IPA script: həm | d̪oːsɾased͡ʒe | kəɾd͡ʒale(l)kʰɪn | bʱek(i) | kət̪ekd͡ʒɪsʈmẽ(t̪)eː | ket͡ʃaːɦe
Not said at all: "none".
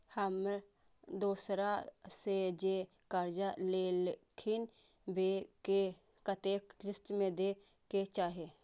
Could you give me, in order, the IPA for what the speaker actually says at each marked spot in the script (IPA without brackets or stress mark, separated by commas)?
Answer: l, e, d̪